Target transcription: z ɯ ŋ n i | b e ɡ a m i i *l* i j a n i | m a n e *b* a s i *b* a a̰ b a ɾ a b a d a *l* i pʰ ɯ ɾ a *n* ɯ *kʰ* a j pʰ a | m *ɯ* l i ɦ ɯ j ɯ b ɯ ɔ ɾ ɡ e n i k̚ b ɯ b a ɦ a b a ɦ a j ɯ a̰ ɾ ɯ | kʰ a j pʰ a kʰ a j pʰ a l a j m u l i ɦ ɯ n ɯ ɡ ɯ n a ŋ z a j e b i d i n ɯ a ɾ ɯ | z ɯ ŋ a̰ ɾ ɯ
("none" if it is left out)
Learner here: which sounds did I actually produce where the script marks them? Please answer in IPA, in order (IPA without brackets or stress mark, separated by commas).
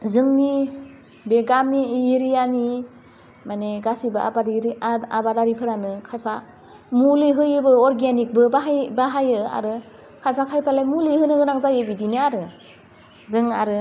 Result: ɾ, ɡ, b, ɾ, n, kʰ, u